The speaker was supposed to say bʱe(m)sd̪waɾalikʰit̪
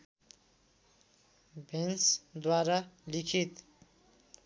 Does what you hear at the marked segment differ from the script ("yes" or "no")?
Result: yes